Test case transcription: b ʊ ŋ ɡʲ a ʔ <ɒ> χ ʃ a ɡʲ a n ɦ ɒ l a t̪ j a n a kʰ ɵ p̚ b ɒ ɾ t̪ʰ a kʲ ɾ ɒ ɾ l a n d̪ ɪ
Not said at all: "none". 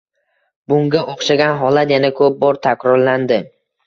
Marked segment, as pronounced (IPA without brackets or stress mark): o